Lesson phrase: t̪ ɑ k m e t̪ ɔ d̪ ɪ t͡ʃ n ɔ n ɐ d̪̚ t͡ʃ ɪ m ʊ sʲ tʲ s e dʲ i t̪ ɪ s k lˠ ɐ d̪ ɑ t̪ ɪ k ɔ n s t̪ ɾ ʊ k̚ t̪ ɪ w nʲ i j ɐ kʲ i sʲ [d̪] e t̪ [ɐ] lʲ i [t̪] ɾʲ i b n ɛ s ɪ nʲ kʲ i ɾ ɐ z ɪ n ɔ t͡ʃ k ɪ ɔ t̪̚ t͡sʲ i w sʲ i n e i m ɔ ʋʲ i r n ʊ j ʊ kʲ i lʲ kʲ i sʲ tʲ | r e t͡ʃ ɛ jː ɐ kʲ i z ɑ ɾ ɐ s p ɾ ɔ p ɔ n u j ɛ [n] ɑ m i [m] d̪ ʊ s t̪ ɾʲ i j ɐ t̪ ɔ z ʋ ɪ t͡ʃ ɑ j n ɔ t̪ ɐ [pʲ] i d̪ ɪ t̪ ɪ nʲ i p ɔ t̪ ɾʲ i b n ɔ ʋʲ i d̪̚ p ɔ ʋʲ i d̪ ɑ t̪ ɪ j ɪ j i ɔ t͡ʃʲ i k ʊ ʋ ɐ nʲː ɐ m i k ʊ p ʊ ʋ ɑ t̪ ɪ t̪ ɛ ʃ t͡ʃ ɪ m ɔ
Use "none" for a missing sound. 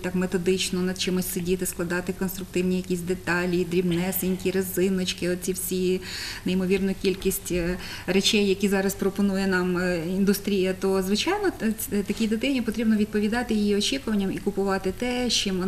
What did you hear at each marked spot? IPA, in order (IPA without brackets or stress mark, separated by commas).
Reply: d̪, ɑ, d̪, n, n, kʲ